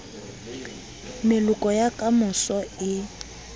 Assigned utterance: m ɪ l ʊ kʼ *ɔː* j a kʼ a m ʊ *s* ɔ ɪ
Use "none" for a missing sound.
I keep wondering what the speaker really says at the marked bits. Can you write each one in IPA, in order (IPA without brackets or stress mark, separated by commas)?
ɔ, s